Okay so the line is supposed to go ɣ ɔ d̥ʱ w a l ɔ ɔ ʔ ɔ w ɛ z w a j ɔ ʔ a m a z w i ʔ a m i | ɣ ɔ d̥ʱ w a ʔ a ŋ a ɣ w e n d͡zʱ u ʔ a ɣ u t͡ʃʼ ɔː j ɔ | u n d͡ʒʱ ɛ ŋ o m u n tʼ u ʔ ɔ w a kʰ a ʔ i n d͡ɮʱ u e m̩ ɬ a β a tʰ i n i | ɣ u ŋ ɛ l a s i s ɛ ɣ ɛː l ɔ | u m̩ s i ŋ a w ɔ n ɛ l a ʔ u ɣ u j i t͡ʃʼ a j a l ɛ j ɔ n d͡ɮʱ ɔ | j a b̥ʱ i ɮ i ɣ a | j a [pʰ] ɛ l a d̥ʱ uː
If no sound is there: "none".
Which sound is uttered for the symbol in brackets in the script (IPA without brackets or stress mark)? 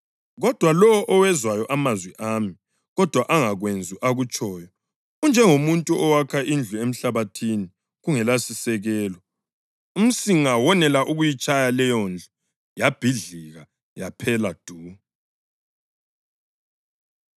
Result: pʰ